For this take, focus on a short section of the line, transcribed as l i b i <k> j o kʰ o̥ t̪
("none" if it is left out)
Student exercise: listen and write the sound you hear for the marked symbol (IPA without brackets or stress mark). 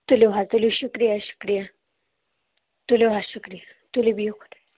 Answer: none